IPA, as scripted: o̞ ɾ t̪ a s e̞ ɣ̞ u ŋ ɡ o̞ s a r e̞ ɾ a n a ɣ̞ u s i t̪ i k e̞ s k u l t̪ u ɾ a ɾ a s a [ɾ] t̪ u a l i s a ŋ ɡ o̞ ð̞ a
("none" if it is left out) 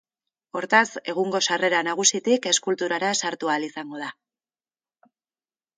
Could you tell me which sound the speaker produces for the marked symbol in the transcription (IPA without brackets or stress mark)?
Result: ɾ